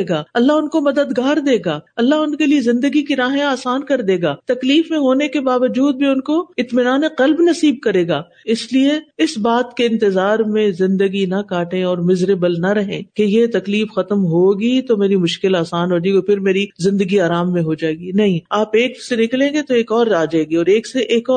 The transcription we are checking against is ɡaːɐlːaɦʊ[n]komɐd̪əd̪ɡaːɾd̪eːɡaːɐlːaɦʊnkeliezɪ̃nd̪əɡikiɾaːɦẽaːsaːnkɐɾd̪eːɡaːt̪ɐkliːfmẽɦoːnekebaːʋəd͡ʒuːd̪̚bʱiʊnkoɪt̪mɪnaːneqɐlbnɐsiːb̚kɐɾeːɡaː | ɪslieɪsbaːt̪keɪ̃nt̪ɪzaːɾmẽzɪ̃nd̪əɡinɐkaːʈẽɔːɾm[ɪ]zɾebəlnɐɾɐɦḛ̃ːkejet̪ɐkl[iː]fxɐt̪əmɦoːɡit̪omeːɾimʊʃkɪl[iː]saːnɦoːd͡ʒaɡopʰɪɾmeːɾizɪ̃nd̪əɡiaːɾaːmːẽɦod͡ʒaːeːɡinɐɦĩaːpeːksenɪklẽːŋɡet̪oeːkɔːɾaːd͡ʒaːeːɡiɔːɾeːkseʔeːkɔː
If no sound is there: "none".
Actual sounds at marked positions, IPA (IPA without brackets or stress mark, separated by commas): n, ɪ, iː, aː